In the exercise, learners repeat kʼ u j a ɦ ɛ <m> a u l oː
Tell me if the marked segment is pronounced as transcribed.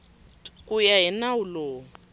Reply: no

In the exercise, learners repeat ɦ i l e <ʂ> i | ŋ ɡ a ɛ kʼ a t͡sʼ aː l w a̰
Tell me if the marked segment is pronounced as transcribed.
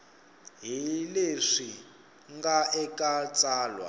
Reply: yes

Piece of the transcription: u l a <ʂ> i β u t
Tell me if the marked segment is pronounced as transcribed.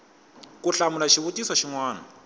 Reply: no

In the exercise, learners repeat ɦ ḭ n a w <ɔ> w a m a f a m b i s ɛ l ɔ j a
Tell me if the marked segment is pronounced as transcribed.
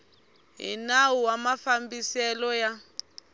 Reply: no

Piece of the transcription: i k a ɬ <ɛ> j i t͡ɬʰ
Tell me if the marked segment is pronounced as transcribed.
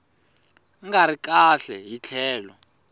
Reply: yes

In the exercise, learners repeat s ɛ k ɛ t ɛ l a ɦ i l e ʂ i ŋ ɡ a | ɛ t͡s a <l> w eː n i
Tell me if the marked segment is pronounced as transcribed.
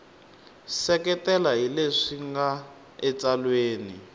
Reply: yes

